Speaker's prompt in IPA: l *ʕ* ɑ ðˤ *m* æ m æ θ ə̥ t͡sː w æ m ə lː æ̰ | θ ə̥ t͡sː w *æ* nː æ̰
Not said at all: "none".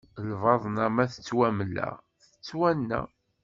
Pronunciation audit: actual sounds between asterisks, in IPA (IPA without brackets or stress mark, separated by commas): v, n, æ